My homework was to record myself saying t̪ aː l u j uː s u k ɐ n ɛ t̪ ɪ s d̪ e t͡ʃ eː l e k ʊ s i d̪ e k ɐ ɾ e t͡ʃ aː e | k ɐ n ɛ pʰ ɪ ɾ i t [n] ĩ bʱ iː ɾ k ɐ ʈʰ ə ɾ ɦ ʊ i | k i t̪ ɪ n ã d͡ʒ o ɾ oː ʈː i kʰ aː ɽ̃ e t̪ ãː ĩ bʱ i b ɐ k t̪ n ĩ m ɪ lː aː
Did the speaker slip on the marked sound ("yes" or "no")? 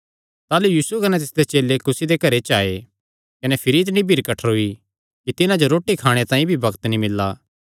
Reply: no